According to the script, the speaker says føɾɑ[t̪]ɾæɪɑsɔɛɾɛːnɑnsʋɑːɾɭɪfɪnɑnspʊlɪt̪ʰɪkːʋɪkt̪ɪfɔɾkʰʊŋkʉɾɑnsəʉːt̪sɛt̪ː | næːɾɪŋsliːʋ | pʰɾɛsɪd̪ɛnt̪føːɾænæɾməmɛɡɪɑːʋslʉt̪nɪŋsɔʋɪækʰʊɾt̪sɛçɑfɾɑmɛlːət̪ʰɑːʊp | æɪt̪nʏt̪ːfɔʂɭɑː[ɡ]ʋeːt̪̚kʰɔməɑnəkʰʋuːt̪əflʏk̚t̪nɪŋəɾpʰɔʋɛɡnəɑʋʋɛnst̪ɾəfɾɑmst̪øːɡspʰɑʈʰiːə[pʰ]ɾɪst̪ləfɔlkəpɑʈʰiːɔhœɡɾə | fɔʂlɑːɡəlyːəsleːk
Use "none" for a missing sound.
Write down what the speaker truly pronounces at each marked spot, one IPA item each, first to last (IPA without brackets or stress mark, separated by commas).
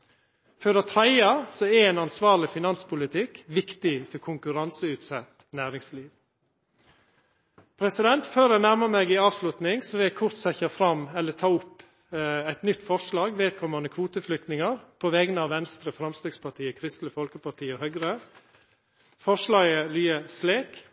t̪ʰ, ɡ, kʰ